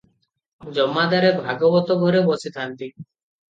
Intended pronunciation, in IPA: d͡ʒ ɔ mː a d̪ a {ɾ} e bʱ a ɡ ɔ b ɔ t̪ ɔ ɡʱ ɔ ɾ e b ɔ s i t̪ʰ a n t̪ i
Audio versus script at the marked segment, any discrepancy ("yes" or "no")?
no